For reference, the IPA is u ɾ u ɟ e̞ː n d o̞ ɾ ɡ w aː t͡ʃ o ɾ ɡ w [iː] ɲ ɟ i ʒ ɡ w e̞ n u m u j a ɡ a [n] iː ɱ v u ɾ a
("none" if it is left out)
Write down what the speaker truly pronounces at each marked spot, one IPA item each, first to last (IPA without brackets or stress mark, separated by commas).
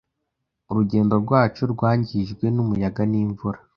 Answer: aː, n